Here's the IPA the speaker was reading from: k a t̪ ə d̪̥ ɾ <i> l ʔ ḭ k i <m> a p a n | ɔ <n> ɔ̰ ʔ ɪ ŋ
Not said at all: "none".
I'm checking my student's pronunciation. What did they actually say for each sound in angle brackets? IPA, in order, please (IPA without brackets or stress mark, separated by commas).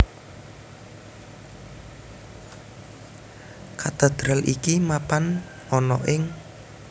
a, m, n